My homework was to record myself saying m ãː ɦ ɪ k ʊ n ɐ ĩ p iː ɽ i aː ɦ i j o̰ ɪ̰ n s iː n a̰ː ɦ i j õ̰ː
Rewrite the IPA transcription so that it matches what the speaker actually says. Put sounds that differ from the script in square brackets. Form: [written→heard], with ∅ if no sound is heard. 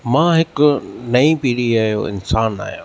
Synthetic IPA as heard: m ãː ɦ ɪ k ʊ n ɐ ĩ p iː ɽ i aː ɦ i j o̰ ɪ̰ n s [iː→aː] n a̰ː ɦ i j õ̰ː